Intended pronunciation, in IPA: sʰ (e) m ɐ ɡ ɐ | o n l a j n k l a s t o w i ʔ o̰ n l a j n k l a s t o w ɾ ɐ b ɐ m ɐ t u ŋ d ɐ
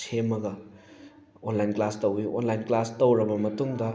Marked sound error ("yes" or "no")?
no